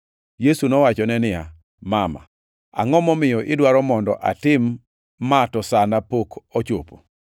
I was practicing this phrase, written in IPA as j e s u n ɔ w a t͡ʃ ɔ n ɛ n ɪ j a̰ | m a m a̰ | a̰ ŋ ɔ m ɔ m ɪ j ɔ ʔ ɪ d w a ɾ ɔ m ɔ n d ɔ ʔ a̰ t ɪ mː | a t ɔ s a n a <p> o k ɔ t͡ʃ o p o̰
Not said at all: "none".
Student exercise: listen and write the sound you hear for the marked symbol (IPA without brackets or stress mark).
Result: p